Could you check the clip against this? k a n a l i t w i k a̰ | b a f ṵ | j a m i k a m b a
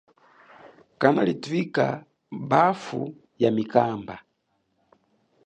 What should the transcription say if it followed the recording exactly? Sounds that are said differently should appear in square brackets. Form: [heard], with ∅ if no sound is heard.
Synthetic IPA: k a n a l i t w i k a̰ | b a f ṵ | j a m i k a m b a